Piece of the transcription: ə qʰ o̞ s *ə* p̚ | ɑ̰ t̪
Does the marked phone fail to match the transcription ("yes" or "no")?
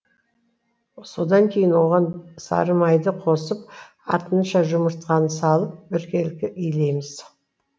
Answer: no